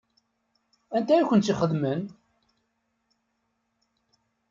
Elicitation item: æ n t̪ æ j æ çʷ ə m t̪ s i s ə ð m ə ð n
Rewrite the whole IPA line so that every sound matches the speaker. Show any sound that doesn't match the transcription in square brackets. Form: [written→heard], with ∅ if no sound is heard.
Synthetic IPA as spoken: æ n t̪ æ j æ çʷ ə [m→n] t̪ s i [s→χ] ə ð m ə [ð→∅] n